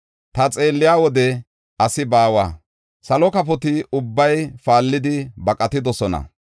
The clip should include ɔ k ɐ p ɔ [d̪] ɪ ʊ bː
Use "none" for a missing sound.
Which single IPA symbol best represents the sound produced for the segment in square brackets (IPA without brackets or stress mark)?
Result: t̪